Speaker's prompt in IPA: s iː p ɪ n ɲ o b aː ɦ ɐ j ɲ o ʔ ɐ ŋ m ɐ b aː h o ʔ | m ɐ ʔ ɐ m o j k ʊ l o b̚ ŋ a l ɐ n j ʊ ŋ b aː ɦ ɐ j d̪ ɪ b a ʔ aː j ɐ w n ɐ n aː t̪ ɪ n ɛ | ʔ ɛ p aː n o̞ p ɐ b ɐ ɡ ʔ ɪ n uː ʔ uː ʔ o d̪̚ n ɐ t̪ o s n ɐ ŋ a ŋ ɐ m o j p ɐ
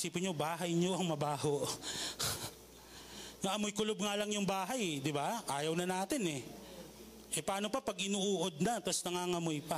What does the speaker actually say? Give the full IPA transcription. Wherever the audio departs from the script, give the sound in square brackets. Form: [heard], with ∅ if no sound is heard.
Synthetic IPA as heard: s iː p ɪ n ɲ o b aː ɦ ɐ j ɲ o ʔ ɐ ŋ m ɐ b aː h o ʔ | [ŋ] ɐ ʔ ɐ m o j k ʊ l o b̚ ŋ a l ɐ [ŋ] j ʊ ŋ b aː ɦ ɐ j d̪ ɪ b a ʔ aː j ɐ w n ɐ n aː t̪ ɪ n ɛ | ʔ ɛ p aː n o̞ p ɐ [p] ɐ ɡ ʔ ɪ n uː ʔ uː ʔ o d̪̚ n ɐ t̪ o s n ɐ ŋ a ŋ ɐ m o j p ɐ